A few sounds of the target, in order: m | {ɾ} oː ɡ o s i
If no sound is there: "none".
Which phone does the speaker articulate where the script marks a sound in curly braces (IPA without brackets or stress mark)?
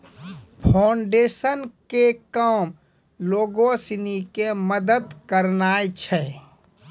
l